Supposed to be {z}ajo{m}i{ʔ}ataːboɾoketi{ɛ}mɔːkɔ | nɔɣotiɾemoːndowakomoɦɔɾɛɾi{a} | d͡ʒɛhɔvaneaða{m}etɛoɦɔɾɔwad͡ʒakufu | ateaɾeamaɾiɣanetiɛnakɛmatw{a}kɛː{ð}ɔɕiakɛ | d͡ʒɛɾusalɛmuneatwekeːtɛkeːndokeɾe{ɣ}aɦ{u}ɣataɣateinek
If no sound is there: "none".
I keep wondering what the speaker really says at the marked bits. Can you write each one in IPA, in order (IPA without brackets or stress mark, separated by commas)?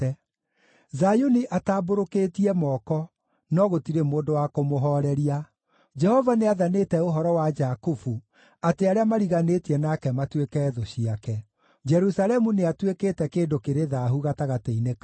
z, n, ʔ, ɛ, a, n, e, ð, ð, u